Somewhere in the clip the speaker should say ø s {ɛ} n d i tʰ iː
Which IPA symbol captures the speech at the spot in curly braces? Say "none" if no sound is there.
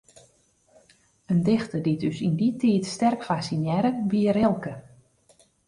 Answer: i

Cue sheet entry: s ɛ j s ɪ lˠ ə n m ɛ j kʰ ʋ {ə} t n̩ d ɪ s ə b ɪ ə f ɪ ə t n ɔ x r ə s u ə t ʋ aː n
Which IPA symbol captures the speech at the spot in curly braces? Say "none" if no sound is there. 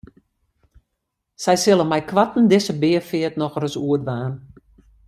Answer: a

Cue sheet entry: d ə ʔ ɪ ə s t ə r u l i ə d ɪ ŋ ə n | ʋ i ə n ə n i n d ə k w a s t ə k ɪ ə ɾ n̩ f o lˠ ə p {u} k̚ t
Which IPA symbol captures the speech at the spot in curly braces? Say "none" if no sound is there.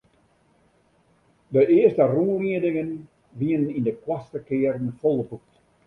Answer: u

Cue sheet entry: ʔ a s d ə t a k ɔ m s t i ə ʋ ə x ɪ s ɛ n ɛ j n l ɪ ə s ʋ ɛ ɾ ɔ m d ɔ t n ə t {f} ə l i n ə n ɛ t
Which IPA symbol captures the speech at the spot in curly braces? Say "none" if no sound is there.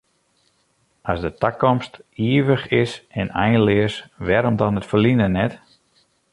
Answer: f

